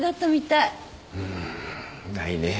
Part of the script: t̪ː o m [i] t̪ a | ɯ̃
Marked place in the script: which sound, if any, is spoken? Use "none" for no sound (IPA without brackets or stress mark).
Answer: i